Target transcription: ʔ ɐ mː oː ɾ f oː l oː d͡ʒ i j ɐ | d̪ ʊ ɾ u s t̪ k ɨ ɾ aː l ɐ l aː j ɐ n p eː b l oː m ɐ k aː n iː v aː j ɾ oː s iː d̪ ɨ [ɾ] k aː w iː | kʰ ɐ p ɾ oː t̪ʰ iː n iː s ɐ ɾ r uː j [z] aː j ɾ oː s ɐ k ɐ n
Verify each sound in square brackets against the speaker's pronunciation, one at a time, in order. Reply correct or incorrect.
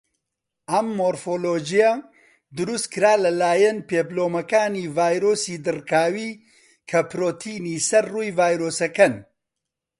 incorrect: r, incorrect: v

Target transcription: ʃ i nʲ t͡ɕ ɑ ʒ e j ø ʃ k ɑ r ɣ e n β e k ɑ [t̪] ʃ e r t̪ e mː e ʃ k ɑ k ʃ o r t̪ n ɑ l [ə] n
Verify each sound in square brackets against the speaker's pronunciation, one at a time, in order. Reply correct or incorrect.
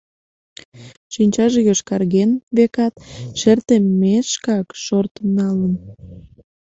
correct, correct

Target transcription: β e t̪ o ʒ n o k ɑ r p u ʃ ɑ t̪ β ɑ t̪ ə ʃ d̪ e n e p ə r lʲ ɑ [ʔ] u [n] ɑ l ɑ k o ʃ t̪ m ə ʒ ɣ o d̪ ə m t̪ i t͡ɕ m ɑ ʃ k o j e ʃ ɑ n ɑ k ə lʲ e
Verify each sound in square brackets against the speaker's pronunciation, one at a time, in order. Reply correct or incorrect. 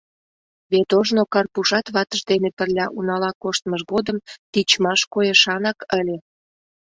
correct, correct

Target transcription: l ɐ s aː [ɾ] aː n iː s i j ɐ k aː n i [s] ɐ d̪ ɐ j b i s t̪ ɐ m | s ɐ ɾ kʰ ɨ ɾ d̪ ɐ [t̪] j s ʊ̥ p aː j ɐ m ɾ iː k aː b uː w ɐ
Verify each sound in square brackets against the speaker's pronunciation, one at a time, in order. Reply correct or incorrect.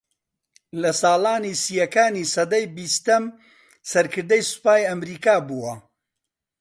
incorrect: l, correct, incorrect: none

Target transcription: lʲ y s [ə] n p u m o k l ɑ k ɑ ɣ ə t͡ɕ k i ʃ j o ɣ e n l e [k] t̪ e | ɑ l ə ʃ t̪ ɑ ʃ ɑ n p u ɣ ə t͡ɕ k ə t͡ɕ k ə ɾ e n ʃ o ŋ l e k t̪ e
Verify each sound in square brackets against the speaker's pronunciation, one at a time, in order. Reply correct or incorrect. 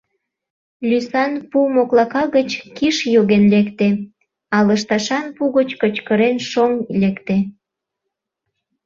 incorrect: ɑ, correct

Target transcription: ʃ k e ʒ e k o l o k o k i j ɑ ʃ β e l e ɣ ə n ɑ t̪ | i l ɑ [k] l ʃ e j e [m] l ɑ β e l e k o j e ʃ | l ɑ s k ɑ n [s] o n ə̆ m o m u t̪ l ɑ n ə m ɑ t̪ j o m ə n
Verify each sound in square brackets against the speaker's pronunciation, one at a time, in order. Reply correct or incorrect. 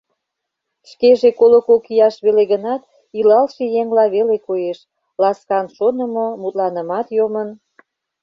incorrect: none, incorrect: ŋ, incorrect: ʃ

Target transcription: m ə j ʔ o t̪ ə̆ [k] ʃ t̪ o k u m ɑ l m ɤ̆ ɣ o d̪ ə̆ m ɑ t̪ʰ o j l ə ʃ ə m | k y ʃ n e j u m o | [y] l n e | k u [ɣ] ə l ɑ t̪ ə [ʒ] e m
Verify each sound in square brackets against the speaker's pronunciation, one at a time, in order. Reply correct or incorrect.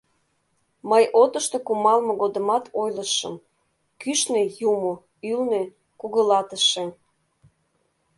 incorrect: none, correct, correct, incorrect: ʃ

